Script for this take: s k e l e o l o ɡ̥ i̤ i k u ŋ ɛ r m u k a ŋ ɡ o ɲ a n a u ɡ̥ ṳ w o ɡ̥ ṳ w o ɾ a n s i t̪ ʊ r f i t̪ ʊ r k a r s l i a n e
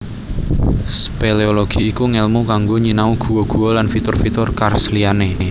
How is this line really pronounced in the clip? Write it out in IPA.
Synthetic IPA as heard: s p e l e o l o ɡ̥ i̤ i k u ŋ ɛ l m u k a ŋ ɡ o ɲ i n a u ɡ̥ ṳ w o ɡ̥ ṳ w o l a n f i t̪ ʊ r f i t̪ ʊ r k a r s l i a n e

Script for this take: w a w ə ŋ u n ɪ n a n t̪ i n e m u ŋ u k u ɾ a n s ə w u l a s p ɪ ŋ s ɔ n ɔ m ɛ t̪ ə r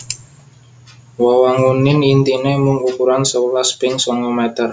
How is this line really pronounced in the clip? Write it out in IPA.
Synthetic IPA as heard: w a w a ŋ u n ɪ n i n t̪ i n e m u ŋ u k u ɾ a n s ə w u l a s p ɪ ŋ s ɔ ŋ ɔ m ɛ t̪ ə r

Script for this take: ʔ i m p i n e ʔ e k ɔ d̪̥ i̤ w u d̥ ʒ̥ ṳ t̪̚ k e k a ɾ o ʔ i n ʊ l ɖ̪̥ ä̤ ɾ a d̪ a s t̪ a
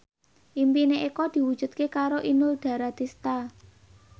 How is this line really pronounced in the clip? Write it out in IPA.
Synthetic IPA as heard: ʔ i m p i n e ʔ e k ɔ d̪̥ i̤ w u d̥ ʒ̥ ṳ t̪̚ k e k a ɾ o ʔ i n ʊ l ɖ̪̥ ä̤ ɾ a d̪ i s t̪ a

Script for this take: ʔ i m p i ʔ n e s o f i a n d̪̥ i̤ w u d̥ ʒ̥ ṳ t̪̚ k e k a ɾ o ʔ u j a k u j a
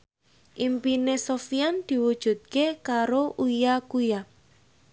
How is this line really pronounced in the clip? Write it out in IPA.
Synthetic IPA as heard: ʔ i m p i n e s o f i a n d̪̥ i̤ w u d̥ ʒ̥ ṳ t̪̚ k e k a ɾ o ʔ u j a k u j a

